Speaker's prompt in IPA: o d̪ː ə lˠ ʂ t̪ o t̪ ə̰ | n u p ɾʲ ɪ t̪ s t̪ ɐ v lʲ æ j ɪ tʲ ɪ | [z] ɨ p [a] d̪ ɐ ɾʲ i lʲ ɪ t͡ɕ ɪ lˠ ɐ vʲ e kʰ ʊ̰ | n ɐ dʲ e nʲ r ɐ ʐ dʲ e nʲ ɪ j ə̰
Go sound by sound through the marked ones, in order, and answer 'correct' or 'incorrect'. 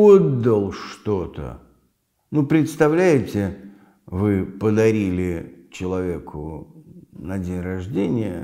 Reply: incorrect: v, incorrect: ə

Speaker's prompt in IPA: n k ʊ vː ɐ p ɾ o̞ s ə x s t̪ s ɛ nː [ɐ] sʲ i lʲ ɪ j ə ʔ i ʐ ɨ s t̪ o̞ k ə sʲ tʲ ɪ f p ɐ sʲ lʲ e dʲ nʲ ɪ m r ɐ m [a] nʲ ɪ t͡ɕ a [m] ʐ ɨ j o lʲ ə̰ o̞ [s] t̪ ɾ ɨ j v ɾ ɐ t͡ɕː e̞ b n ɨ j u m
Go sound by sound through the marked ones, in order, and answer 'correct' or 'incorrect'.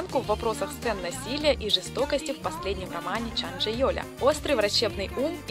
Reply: correct, correct, incorrect: n, correct

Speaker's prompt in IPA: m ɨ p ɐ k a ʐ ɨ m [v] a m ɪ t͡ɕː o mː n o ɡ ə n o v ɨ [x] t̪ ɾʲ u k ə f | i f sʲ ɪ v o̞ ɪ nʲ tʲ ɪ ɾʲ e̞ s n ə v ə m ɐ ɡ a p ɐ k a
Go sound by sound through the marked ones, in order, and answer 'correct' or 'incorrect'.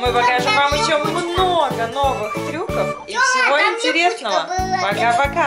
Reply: correct, correct

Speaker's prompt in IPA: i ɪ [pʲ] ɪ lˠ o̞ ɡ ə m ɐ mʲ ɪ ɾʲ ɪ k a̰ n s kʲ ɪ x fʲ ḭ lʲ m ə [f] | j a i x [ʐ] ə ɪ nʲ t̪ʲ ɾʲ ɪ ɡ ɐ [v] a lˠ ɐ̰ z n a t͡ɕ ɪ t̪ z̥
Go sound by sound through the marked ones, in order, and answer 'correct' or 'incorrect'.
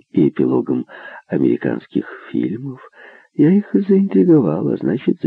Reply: correct, correct, incorrect: z, correct

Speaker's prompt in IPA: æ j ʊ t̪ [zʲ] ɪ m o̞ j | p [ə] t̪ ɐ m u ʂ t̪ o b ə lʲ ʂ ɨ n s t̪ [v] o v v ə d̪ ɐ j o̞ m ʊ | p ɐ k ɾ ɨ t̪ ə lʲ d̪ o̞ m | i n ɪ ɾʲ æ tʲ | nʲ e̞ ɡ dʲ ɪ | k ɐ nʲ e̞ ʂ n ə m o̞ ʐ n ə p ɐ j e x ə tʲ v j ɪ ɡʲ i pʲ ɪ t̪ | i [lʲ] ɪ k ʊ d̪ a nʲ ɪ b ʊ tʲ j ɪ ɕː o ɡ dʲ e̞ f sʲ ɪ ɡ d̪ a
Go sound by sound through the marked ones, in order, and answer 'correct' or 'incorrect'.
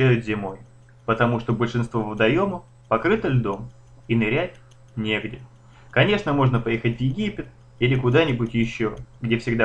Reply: correct, correct, correct, correct

